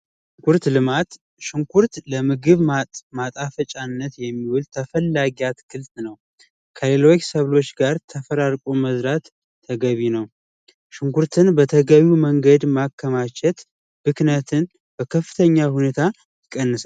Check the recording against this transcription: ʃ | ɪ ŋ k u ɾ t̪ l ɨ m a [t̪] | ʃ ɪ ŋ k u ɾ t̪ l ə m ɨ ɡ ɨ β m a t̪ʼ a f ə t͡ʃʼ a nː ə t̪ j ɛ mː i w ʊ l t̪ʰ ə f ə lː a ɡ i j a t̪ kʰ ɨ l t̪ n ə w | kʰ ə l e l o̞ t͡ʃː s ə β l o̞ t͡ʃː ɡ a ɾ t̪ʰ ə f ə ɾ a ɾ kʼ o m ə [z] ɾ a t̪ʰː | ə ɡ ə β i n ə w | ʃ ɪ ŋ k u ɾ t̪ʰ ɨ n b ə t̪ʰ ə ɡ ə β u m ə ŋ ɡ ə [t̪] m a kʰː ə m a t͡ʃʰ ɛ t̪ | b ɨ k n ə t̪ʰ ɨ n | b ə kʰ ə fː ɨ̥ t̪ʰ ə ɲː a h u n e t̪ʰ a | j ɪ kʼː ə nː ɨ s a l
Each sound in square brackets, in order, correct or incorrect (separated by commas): correct, correct, incorrect